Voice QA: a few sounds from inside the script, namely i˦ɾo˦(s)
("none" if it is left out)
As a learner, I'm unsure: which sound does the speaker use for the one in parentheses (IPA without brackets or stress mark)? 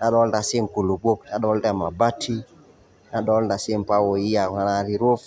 f